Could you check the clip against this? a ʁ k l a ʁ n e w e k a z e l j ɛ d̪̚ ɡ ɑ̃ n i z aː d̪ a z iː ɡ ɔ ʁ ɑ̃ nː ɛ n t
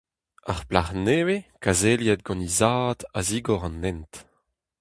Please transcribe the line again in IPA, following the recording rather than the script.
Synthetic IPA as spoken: a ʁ p l a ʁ n e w e k a z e l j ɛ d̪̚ ɡ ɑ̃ n i z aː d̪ a z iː ɡ ɔ ʁ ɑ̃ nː ɛ n t